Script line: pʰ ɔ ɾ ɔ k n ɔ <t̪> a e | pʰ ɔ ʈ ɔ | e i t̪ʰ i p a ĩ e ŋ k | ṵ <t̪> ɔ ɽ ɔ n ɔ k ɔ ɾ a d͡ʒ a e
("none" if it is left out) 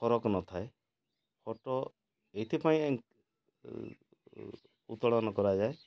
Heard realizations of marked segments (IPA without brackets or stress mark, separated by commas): t̪ʰ, t̪